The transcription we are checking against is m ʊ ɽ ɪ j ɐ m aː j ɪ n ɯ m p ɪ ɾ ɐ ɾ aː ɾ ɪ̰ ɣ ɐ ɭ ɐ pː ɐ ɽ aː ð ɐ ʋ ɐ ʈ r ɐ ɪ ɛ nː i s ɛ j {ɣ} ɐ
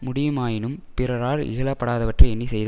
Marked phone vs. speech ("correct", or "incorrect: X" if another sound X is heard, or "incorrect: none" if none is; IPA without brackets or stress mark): incorrect: ð